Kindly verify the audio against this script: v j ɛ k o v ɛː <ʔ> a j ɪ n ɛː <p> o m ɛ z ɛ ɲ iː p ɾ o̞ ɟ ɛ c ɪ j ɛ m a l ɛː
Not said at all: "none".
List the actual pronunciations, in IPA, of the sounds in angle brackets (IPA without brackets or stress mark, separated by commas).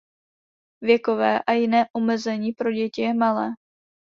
ʔ, ʔ